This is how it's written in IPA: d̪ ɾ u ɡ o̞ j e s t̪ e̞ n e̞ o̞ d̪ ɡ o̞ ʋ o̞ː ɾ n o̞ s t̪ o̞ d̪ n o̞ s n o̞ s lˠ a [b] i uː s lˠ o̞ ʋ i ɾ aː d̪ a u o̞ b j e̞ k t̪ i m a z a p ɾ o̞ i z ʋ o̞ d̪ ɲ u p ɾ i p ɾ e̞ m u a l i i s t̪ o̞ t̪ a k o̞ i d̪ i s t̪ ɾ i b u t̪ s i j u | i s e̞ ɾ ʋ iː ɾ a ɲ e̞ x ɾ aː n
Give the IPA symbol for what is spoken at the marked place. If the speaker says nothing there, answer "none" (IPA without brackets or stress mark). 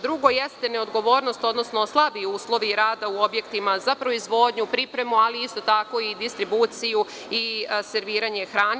b